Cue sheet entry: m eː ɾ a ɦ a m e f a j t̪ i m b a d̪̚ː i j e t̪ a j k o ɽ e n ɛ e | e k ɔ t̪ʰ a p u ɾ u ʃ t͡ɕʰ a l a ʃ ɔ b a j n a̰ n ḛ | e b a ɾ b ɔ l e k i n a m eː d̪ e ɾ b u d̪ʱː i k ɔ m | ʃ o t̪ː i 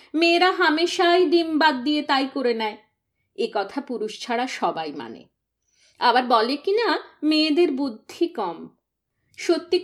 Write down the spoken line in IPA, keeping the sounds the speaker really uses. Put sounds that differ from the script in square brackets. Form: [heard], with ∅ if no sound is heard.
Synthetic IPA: m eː ɾ a ɦ a m e [ʃ] a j [d̪] i m b a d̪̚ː i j e t̪ a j k o [ɾ] e n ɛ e | e k ɔ t̪ʰ a p u ɾ u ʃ t͡ɕʰ a [ɽ] a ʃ ɔ b a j [m] a̰ n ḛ | [a] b a ɾ b ɔ l e k i n a m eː d̪ e ɾ b u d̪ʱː i k ɔ m | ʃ o t̪ː i